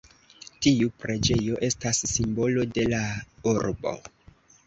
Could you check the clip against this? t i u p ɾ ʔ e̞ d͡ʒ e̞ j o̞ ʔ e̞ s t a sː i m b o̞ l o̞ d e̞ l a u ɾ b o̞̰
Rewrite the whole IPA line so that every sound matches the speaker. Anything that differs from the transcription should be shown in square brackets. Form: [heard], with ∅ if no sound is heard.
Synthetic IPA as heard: t i u p ɾ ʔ e̞ d͡ʒ e̞ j o̞ ʔ e̞ s t a sː i m b o̞ l o̞ d e̞ l a u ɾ b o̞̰

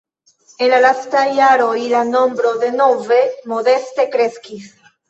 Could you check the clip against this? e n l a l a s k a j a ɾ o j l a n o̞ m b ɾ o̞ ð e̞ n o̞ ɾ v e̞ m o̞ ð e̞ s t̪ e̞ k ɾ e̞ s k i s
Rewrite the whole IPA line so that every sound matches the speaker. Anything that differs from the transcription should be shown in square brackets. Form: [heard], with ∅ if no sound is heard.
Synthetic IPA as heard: e n l a l a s [t] a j a ɾ o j l a n o̞ m b ɾ o̞ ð e̞ n o̞ [∅] v e̞ m o̞ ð e̞ s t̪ e̞ k ɾ e̞ s k i s

